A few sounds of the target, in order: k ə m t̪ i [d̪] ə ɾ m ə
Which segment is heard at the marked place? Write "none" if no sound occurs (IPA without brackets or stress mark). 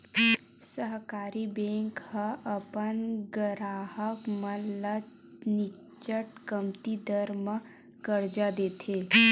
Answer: d̪